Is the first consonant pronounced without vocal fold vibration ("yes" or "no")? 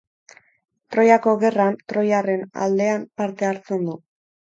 yes